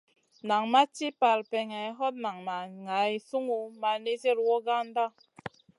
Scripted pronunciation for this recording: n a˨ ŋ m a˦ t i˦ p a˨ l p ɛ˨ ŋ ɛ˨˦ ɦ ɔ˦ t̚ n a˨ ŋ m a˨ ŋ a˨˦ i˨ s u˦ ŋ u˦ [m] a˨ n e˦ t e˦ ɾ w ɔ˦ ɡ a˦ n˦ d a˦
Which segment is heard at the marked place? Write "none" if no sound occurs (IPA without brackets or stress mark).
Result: m